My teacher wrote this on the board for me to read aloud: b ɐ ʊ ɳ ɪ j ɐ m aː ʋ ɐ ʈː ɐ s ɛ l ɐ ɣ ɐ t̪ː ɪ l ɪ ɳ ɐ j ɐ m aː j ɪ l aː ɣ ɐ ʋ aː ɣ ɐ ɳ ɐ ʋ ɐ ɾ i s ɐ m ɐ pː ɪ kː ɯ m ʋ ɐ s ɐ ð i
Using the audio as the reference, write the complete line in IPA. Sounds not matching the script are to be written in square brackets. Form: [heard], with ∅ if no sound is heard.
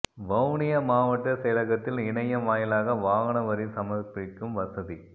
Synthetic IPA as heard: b ɐ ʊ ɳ ɪ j ɐ m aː ʋ ɐ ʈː ɐ s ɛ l ɐ ɣ ɐ t̪ː ɪ l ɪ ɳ ɐ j ɐ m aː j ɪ l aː ɣ ɐ ʋ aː ɣ ɐ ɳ ɐ ʋ ɐ ɾ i s ɐ m ɐ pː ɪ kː ɯ m ʋ ɐ s ɐ ð i

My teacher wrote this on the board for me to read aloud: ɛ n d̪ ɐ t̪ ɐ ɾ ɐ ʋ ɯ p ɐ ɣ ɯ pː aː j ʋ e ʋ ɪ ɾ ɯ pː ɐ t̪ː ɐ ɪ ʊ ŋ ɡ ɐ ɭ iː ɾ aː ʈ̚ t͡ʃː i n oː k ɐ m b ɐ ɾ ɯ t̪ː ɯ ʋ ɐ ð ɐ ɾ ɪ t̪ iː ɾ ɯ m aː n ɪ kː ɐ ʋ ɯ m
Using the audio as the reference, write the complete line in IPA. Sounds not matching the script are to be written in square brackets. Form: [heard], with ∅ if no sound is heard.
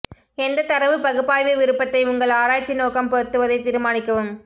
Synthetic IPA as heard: ɛ n d̪ ɐ t̪ ɐ ɾ ɐ ʋ ɯ p ɐ ɣ ɯ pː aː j ʋ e ʋ ɪ ɾ ɯ pː ɐ t̪ː ɐ ɪ ʊ ŋ ɡ ɐ ɭ [aː] ɾ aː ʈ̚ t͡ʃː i n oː k ɐ m [p] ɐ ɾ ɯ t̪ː ɯ ʋ ɐ ð ɐ [∅] ɪ t̪ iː ɾ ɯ m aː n ɪ kː ɐ ʋ ɯ m

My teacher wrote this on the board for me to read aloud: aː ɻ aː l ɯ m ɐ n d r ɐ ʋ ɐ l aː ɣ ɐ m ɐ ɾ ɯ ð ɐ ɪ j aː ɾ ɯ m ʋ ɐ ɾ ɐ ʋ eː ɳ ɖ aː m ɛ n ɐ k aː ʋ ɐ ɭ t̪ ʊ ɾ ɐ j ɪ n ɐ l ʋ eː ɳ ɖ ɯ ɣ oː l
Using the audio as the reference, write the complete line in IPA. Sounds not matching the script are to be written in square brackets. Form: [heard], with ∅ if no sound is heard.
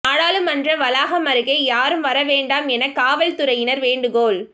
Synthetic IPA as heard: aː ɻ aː l ɯ m ɐ n d r ɐ ʋ ɐ l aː ɣ ɐ m ɐ ɾ ɯ [ɣ] ɐ ɪ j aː ɾ ɯ m ʋ ɐ ɾ ɐ ʋ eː ɳ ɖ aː m ɛ n ɐ k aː ʋ ɐ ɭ t̪ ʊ ɾ ɐ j ɪ n ɐ [ɾ] ʋ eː ɳ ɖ ɯ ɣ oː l

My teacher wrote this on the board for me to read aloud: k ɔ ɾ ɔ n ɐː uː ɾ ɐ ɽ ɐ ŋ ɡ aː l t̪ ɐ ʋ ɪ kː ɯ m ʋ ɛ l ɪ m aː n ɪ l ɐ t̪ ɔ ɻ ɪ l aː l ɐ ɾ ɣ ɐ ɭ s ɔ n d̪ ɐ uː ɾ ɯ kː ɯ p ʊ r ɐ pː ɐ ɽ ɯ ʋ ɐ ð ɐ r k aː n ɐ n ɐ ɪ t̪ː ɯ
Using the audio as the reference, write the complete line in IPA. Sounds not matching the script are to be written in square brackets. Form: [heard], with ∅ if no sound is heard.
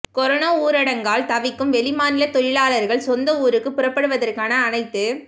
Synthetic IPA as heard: k ɔ ɾ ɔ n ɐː uː ɾ ɐ ɽ ɐ ŋ ɡ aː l t̪ ɐ ʋ ɪ kː ɯ m ʋ ɛ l ɪ m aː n ɪ l ɐ t̪ ɔ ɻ ɪ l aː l ɐ ɾ ɣ ɐ ɭ s ɔ n d̪ ɐ uː ɾ ɯ kː ɯ p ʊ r ɐ pː ɐ ɽ ɯ ʋ ɐ ð ɐ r k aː n [ɐː] n ɐ ɪ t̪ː ɯ

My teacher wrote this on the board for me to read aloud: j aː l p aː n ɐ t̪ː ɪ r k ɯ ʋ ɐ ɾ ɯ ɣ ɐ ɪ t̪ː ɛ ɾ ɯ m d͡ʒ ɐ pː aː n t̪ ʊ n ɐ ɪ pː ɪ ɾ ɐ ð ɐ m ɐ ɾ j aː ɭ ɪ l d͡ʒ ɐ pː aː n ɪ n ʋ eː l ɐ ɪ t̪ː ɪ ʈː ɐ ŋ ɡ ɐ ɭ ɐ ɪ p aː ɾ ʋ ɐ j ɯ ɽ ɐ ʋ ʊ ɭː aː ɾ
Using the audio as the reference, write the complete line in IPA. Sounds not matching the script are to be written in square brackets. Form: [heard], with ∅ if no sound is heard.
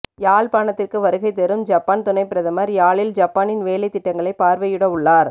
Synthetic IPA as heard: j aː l p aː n ɐ t̪ː ɪ r k ɯ ʋ ɐ ɾ ɯ ɣ ɐ ɪ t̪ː ɛ ɾ ɯ m d͡ʒ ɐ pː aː n t̪ ʊ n ɐ ɪ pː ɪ ɾ ɐ ð ɐ m ɐ ɾ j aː ɭ ɪ l d͡ʒ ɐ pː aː n ɪ n ʋ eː l ɐ ɪ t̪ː ɪ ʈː ɐ ŋ ɡ ɐ ɭ ɐ ɪ p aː ɾ ʋ ɐ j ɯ ɽ ɐ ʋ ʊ ɭː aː ɾ

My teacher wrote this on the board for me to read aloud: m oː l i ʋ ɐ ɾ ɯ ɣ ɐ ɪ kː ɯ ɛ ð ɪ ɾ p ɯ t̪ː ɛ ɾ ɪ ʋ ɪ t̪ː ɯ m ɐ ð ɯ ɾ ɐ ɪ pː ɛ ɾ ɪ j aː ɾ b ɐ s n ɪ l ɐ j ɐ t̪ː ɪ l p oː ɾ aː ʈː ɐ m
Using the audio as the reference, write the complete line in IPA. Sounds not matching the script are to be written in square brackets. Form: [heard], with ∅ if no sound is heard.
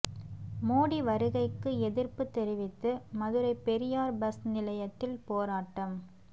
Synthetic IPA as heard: m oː [ɽ] i ʋ ɐ ɾ ɯ ɣ ɐ ɪ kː ɯ ɛ ð ɪ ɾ p ɯ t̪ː ɛ ɾ ɪ ʋ ɪ t̪ː ɯ m ɐ ð ɯ ɾ ɐ ɪ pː ɛ ɾ ɪ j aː ɾ b ɐ s n ɪ l ɐ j ɐ t̪ː ɪ l p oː ɾ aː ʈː ɐ m

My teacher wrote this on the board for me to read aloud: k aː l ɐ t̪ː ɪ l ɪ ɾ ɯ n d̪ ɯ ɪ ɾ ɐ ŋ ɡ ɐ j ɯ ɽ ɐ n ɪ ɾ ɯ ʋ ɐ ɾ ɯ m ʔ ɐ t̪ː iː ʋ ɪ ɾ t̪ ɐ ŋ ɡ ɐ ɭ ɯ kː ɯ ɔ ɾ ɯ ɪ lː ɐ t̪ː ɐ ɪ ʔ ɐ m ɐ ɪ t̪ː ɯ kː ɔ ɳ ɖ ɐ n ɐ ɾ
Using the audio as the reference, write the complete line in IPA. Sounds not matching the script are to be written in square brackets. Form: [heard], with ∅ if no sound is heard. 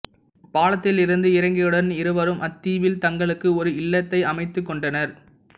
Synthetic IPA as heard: [p] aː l ɐ t̪ː ɪ l ɪ ɾ ɯ n d̪ ɯ ɪ ɾ ɐ ŋ ɡ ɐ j ɯ ɽ ɐ n ɪ ɾ ɯ ʋ ɐ ɾ ɯ m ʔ ɐ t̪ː iː ʋ ɪ [l] t̪ ɐ ŋ ɡ ɐ ɭ ɯ kː ɯ ɔ ɾ ɯ ɪ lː ɐ t̪ː ɐ ɪ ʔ ɐ m ɐ ɪ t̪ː ɯ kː ɔ ɳ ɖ ɐ n ɐ ɾ

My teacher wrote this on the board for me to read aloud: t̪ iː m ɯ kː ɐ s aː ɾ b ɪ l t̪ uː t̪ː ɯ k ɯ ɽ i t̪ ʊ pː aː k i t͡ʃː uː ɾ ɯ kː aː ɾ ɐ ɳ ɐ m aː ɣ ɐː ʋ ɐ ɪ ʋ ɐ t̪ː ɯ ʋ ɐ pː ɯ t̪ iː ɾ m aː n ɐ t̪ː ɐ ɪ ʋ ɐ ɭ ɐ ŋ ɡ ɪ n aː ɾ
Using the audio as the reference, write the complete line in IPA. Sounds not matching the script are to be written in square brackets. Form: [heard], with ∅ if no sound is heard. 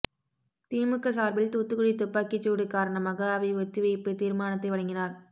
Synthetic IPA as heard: t̪ iː m ɯ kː ɐ s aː ɾ b ɪ l t̪ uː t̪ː ɯ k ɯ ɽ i t̪ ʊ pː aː k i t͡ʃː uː [ɽ] ɯ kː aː ɾ ɐ ɳ ɐ m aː ɣ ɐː ʋ ɐ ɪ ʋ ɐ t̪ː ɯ ʋ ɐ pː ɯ t̪ iː ɾ m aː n ɐ t̪ː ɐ ɪ ʋ ɐ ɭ ɐ ŋ ɡ ɪ n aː ɾ

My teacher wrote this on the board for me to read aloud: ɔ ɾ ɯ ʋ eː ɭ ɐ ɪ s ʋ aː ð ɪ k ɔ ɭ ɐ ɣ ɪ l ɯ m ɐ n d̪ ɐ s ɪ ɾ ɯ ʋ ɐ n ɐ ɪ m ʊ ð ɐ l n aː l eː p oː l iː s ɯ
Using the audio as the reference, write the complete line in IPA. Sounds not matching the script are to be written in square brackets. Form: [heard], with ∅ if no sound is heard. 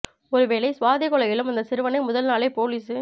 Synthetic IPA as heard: ɔ ɾ ɯ ʋ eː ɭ ɐ ɪ s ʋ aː ð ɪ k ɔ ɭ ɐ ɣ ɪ l ɯ m ɐ n d̪ ɐ s ɪ ɾ ɯ ʋ ɐ n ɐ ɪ m ʊ ð ɐ l n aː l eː p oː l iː s ɯ

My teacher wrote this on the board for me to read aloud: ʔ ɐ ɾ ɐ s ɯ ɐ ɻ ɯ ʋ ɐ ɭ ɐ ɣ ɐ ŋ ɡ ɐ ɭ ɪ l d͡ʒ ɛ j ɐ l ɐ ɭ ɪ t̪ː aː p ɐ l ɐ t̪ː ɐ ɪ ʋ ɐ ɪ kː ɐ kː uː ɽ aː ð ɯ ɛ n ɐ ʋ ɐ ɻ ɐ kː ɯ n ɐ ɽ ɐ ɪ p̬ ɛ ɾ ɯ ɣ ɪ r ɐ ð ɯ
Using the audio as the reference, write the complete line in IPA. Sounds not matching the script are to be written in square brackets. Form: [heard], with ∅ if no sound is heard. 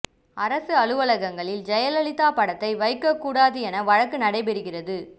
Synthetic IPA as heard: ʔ ɐ ɾ ɐ s ɯ ɐ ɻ ɯ ʋ ɐ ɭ ɐ ɣ ɐ ŋ ɡ ɐ ɭ ɪ l d͡ʒ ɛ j ɐ l ɐ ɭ ɪ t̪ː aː p ɐ [ɽ] ɐ t̪ː ɐ ɪ ʋ ɐ ɪ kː ɐ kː uː ɽ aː ð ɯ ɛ n ɐ ʋ ɐ ɻ ɐ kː ɯ n ɐ ɽ ɐ ɪ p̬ ɛ ɾ ɯ ɣ ɪ r ɐ ð ɯ

